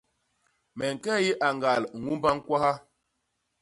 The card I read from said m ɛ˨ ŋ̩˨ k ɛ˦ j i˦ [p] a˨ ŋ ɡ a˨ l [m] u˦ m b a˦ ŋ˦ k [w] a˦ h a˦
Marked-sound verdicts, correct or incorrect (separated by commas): incorrect, incorrect, correct